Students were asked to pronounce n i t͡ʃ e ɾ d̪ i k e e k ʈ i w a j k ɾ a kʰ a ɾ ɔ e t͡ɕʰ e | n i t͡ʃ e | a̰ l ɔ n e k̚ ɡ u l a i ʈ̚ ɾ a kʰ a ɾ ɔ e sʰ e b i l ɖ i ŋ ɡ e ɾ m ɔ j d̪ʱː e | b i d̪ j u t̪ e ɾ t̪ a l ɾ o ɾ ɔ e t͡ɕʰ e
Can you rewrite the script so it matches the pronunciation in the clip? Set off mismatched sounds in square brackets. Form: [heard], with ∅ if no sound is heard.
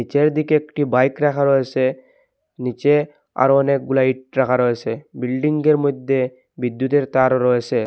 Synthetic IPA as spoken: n i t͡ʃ e ɾ d̪ i k e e k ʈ i [b] a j k ɾ a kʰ a ɾ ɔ e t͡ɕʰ e | n i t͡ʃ e | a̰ [ɾ] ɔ n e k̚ ɡ u l a i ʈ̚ ɾ a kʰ a ɾ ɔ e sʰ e b i l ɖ i ŋ ɡ e ɾ m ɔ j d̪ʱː e | b i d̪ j u t̪ e ɾ t̪ a [∅] ɾ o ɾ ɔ e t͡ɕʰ e